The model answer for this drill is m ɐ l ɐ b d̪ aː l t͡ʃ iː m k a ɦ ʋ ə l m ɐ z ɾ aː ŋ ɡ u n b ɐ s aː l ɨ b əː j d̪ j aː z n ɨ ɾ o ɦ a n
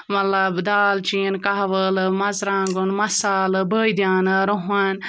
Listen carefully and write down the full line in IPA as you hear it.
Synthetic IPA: m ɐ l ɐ b d̪ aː l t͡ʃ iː n k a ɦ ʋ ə l m ɐ z ɾ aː ŋ ɡ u n m ɐ s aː l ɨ b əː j d̪ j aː n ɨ ɾ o ɦ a n